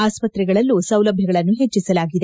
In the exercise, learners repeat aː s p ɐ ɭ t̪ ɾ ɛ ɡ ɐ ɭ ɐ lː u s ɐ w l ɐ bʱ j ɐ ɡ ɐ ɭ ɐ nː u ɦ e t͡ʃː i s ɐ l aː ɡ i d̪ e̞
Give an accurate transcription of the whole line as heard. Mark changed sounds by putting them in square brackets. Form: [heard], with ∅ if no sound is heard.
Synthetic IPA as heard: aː s p ɐ [∅] t̪ ɾ ɛ ɡ ɐ ɭ ɐ lː u s ɐ w l ɐ bʱ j ɐ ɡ ɐ ɭ ɐ nː u ɦ e t͡ʃː i s ɐ l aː ɡ i d̪ e̞

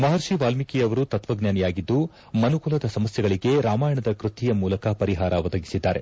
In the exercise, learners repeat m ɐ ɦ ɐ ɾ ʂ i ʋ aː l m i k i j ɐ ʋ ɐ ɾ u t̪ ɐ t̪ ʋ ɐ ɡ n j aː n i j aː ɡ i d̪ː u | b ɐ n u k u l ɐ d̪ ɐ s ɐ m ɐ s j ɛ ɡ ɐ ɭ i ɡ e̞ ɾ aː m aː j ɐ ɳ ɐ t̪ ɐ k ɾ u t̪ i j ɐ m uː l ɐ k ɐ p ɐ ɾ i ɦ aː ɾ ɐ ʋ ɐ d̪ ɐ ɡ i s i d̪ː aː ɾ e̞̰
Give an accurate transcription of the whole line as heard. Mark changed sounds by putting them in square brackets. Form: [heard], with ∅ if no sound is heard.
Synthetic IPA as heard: m ɐ ɦ ɐ ɾ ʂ i ʋ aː l m i k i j ɐ ʋ ɐ ɾ u t̪ ɐ t̪ ʋ ɐ ɡ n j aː n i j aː ɡ i d̪ː u | [m] ɐ n u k u l ɐ d̪ ɐ s ɐ m ɐ s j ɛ ɡ ɐ ɭ i ɡ e̞ ɾ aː m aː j ɐ ɳ ɐ [d̪] ɐ k ɾ u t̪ i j ɐ m uː l ɐ k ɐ p ɐ ɾ i ɦ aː ɾ ɐ ʋ ɐ d̪ ɐ ɡ i s i d̪ː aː ɾ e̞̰

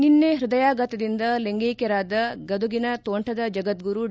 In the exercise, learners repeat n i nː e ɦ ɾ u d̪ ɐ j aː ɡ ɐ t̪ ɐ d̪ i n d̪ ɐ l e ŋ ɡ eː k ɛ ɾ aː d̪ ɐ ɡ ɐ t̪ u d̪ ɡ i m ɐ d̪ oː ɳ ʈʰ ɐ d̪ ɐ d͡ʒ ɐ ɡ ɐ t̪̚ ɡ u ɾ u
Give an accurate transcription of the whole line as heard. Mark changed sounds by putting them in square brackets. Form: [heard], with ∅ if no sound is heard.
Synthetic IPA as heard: n i nː e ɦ ɾ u d̪ ɐ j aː ɡ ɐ t̪ ɐ d̪ i n d̪ ɐ l e ŋ ɡ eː k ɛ ɾ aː d̪ ɐ ɡ ɐ [d̪] u [∅] ɡ i [n] ɐ [t̪] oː ɳ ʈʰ ɐ d̪ ɐ d͡ʒ ɐ ɡ ɐ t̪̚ ɡ u ɾ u

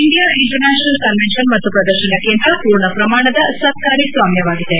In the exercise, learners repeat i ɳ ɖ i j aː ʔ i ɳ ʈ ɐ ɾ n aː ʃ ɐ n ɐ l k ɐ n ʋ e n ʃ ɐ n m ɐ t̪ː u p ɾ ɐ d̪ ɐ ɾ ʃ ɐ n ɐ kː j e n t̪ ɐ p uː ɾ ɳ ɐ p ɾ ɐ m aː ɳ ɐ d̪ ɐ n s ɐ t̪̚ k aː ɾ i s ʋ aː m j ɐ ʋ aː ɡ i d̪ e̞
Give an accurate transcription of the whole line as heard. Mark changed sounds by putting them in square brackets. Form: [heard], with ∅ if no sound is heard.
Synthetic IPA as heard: i ɳ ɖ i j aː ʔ i ɳ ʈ ɐ ɾ n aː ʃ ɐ n ɐ l k ɐ n ʋ e n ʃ ɐ n m ɐ t̪ː u p ɾ ɐ d̪ ɐ ɾ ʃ ɐ n ɐ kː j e n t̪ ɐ p uː ɾ ɳ ɐ p ɾ ɐ m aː ɳ ɐ d̪ ɐ [∅] s ɐ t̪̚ k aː ɾ i s ʋ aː m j ɐ ʋ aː ɡ i d̪ e̞

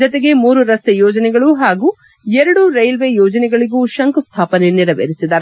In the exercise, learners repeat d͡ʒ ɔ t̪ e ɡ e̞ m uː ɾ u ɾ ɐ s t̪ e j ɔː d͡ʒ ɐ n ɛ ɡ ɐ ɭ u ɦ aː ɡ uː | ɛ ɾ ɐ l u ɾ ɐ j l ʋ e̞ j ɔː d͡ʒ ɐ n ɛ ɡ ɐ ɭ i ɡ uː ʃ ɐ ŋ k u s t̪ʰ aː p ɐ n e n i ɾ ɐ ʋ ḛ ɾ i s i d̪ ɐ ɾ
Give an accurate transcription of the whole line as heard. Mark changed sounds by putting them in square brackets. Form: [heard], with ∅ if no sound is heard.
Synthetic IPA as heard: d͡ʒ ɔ t̪ e ɡ e̞ m uː ɾ u ɾ ɐ s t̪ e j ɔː d͡ʒ ɐ n ɛ ɡ ɐ ɭ u ɦ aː ɡ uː | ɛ ɾ ɐ [ɽ] u ɾ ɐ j l ʋ e̞ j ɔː d͡ʒ ɐ n ɛ ɡ ɐ ɭ i ɡ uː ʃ ɐ ŋ k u s t̪ʰ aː p ɐ n e n i ɾ ɐ ʋ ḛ ɾ i s i d̪ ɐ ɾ

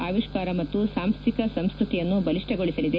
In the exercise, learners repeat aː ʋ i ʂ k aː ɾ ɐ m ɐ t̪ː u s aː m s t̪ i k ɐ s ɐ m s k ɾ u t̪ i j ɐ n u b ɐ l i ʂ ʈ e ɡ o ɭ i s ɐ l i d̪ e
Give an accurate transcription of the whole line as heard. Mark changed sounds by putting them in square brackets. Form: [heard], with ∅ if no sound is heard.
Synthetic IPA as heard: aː ʋ i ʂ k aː ɾ ɐ m ɐ t̪ː u s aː m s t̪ i k ɐ s ɐ m s k ɾ u t̪ i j ɐ [nː] u b ɐ l i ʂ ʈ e ɡ o ɭ i s ɐ l i d̪ e

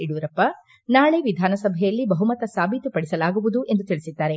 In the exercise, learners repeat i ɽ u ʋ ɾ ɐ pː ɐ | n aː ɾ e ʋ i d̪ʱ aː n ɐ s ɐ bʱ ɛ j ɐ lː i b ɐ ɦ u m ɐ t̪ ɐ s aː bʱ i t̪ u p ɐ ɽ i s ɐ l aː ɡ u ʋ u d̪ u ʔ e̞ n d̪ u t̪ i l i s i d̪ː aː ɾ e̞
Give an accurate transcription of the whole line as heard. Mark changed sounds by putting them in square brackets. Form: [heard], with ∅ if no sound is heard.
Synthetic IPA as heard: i ɽ u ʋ ɾ ɐ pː ɐ | n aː [ɭ] e ʋ i d̪ʱ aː n ɐ s ɐ bʱ ɛ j ɐ lː i b ɐ ɦ u m ɐ t̪ ɐ s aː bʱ i t̪ u p ɐ ɽ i s ɐ l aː ɡ u ʋ u d̪ u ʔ e̞ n d̪ u t̪ i [ɭ] i s i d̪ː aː ɾ e̞

